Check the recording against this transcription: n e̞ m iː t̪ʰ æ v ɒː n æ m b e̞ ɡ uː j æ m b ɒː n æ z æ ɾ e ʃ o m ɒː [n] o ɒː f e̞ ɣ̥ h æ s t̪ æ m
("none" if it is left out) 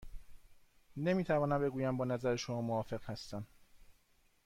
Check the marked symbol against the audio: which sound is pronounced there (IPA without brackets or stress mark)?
m